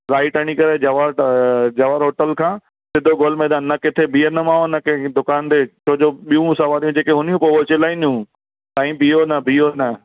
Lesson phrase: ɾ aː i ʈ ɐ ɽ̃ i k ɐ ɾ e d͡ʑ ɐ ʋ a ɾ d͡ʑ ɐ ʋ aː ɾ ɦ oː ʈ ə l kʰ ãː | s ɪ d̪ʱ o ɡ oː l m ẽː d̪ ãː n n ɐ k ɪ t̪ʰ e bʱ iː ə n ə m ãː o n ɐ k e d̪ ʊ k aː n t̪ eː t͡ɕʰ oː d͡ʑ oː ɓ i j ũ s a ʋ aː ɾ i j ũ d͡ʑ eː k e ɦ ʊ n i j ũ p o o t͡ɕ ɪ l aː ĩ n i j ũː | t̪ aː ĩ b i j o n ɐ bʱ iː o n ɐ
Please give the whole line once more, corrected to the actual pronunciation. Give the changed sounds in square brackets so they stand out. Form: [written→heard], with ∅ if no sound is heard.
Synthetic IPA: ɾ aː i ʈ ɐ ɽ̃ i k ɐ ɾ e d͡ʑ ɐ ʋ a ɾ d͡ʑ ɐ ʋ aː ɾ ɦ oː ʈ ə l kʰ ãː | s ɪ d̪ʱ o ɡ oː l m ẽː d̪ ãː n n ɐ k ɪ t̪ʰ e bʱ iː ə n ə m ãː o n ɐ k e d̪ ʊ k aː n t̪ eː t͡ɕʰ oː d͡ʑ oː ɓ i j ũ s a ʋ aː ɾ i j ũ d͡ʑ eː k e ɦ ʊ n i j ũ p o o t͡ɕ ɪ l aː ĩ n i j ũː | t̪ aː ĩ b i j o n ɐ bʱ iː o n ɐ